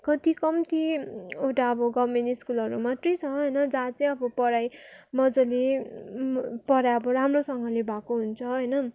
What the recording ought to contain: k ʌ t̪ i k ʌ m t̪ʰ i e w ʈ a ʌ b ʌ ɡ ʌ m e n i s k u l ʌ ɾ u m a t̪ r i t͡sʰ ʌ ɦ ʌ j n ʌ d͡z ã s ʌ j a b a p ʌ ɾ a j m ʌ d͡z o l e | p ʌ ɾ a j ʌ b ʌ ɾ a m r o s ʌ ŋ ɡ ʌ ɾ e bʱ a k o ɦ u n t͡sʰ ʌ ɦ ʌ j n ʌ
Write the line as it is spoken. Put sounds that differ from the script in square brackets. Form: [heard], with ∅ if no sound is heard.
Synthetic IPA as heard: k ʌ t̪ i k ʌ m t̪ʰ i e w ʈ a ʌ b ʌ ɡ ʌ m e n i s k u l ʌ ɾ u m a t̪ r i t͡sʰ ʌ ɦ ʌ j n ʌ d͡z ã [t͡s] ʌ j [ʌ] b [ʌ] p ʌ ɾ a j m ʌ d͡z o l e | p ʌ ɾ a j ʌ b ʌ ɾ a m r o s ʌ ŋ ɡ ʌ [l] e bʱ a k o ɦ u n t͡sʰ ʌ ɦ ʌ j n ʌ

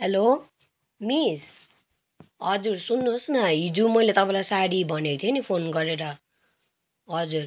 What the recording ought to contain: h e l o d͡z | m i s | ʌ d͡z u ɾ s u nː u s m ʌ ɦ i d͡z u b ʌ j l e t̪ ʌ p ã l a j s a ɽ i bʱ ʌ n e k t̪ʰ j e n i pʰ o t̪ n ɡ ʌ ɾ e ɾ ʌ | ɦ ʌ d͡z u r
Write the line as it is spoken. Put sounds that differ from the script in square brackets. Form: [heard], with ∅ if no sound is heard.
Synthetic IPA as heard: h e l o [∅] | m i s | ʌ d͡z u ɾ s u nː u s [n] ʌ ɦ i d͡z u [m] ʌ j l e t̪ ʌ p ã l a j s a ɽ i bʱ ʌ n e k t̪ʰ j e n i pʰ o [∅] n ɡ ʌ ɾ e ɾ ʌ | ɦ ʌ d͡z u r

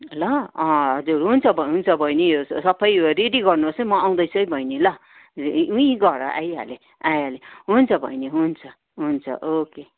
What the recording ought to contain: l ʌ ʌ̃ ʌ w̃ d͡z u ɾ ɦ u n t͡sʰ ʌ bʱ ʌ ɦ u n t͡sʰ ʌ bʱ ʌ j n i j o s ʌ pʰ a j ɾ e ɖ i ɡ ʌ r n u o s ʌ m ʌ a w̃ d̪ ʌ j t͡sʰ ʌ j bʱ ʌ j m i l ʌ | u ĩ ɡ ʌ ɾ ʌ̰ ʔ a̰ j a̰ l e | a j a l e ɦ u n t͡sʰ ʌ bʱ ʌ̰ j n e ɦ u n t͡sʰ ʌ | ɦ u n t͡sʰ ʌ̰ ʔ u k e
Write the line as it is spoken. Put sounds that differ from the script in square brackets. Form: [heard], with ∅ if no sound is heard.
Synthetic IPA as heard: l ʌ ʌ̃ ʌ [∅] d͡z u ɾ ɦ u n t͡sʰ ʌ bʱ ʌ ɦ u n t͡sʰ ʌ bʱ ʌ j n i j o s ʌ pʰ [ʌ] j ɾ e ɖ i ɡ ʌ r n u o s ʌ m ʌ a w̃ d̪ ʌ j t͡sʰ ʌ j bʱ ʌ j [n] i l ʌ | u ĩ ɡ ʌ ɾ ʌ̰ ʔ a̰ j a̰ l e | a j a l e ɦ u n t͡sʰ ʌ bʱ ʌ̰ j n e ɦ u n t͡sʰ ʌ | ɦ u n t͡sʰ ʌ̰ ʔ [o] k e

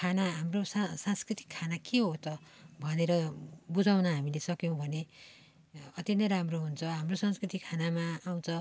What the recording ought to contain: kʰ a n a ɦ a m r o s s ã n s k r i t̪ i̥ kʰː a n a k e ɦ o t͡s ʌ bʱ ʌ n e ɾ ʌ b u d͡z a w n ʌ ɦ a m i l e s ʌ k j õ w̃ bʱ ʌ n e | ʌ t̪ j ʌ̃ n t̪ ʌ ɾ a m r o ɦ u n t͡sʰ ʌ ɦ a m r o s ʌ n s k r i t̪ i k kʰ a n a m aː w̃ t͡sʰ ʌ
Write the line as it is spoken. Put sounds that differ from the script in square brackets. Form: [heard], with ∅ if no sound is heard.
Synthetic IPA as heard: kʰ a n a ɦ a m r o s s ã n s k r i t̪ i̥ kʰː a n a k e ɦ o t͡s ʌ bʱ ʌ n e ɾ ʌ b u d͡z a w n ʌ ɦ a m i l e s ʌ k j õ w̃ bʱ ʌ n e | ʌ t̪ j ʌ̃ n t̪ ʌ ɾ a m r o ɦ u n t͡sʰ ʌ ɦ a m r o s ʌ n s k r i t̪ i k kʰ a n a m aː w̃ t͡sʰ ʌ

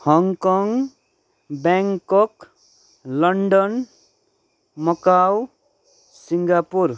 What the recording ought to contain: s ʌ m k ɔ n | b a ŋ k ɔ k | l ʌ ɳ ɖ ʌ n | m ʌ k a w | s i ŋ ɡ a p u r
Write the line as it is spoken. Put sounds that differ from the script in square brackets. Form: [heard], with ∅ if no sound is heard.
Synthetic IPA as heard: [h] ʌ [ŋ] k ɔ [ŋ] | b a ŋ k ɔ k | l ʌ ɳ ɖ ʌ n | m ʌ k a w | s i ŋ ɡ a p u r

